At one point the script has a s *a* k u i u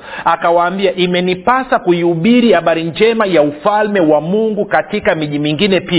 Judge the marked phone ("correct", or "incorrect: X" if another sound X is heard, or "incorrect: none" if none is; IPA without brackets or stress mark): correct